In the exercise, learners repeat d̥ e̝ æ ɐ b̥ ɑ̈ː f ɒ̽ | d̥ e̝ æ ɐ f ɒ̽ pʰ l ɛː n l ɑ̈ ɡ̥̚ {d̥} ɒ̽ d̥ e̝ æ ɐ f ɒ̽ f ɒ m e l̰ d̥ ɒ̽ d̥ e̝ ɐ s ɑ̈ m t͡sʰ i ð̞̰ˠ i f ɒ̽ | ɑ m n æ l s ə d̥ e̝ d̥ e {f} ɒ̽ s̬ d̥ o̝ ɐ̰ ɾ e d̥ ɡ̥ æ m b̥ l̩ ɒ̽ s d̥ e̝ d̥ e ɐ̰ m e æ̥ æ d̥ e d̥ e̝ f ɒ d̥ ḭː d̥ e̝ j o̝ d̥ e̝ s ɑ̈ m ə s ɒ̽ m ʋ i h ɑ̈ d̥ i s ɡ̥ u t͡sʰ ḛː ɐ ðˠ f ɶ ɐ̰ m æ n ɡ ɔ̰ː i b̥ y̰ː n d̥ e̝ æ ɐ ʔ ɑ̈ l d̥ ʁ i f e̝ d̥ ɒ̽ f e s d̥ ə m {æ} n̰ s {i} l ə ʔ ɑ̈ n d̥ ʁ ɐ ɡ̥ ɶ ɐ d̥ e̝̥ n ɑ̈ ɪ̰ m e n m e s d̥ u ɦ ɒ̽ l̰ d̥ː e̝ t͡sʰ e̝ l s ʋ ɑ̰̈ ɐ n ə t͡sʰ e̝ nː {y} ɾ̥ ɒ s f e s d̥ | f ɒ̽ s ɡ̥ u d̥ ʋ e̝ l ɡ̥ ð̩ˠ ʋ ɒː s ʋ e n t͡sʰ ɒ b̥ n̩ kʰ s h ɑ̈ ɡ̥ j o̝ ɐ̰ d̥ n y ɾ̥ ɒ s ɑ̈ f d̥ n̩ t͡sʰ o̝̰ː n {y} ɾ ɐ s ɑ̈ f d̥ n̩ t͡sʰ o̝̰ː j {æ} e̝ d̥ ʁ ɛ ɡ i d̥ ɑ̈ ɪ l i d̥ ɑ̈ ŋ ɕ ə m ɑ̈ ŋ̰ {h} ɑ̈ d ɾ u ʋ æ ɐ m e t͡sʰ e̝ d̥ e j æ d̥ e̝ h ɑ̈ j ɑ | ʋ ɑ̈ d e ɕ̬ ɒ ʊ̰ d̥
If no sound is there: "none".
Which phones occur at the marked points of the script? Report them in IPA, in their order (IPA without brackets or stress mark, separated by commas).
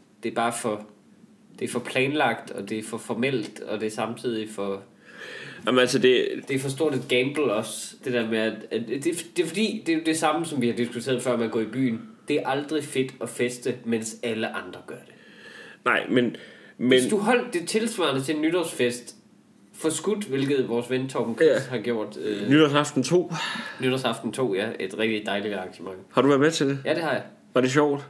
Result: d̥, f, e, æ, y, y, æ, h